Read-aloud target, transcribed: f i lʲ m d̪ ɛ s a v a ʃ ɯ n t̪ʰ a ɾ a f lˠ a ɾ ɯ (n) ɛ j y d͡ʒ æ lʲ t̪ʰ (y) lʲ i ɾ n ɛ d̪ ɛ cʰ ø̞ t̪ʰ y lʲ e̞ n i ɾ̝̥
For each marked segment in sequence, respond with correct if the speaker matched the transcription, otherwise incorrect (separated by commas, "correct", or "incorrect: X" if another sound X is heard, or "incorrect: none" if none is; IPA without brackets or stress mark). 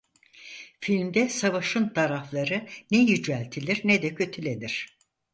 correct, incorrect: i